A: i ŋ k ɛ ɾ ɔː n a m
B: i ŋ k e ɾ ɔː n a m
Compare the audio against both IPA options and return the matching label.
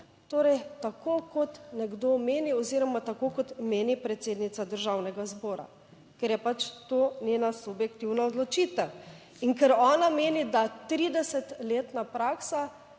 A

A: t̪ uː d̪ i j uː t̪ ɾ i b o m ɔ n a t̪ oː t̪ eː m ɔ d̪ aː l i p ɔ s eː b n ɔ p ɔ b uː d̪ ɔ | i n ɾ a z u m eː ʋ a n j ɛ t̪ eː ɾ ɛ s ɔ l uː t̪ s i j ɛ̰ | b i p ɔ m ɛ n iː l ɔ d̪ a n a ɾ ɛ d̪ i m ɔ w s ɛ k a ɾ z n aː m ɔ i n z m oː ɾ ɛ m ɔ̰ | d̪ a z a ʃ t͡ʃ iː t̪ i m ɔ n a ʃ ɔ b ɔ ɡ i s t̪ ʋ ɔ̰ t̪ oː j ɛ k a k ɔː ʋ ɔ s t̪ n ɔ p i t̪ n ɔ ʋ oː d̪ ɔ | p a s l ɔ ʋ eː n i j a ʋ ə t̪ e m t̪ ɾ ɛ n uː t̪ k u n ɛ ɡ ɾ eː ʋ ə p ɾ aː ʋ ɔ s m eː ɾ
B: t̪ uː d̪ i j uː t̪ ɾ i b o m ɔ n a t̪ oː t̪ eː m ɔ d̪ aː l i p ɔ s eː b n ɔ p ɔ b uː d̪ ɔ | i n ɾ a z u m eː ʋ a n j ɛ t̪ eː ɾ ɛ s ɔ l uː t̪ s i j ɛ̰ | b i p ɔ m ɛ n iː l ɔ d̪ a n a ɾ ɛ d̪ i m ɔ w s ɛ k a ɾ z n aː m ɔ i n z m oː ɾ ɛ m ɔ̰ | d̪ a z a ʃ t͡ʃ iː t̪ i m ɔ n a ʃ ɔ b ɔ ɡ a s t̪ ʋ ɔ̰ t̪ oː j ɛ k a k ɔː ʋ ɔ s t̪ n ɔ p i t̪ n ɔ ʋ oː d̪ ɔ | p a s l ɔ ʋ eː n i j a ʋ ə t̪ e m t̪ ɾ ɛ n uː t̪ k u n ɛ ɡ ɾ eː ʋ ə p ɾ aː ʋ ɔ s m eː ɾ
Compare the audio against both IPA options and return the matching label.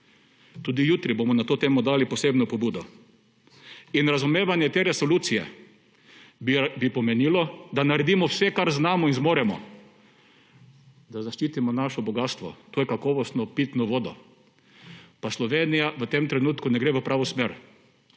B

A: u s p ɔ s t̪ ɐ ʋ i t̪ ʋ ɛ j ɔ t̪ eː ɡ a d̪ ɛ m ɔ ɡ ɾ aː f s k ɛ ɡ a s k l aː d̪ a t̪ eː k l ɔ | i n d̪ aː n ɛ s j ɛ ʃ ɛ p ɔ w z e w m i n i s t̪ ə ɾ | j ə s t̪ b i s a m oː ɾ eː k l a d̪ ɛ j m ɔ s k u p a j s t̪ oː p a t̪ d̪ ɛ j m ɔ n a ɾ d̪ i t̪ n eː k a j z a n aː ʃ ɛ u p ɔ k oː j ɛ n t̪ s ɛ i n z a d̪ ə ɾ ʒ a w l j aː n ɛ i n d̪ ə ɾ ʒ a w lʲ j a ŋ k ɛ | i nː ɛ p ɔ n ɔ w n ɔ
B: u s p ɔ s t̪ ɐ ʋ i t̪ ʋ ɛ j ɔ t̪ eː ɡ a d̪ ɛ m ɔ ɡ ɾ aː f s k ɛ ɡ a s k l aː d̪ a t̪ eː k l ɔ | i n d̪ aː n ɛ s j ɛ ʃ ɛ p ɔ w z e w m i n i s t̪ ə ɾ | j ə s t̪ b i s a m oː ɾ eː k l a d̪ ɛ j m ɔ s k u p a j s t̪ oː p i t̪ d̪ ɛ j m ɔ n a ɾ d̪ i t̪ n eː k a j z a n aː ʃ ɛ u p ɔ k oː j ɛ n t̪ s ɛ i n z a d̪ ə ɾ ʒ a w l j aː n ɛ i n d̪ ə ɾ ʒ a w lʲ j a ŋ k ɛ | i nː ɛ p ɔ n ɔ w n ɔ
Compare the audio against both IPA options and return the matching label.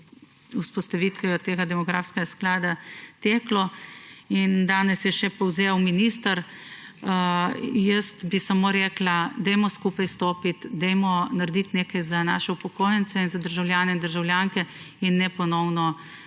B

